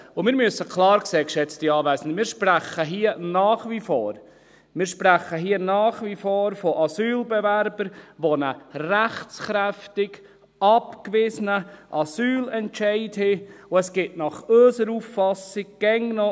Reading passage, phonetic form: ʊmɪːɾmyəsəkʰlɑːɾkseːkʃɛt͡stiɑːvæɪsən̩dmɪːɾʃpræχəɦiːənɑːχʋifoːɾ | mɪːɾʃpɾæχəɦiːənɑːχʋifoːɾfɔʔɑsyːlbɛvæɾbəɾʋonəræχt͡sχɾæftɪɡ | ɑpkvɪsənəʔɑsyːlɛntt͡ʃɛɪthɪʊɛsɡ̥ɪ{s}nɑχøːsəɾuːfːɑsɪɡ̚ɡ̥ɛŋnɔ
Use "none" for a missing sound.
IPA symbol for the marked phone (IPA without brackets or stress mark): t